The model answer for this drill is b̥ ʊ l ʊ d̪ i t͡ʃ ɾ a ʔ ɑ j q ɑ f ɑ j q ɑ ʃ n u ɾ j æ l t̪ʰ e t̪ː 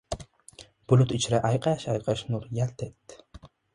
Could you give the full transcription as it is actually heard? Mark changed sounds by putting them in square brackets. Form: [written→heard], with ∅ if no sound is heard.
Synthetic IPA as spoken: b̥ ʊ l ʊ [d̪→t̪] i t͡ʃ ɾ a ʔ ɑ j q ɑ [f→ʃ] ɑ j q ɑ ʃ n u ɾ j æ l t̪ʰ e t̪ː